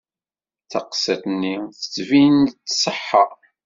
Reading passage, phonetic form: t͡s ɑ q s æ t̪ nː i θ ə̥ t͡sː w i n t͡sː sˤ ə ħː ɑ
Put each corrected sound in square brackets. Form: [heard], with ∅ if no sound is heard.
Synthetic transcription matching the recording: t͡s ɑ q s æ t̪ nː i θ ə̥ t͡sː [v] i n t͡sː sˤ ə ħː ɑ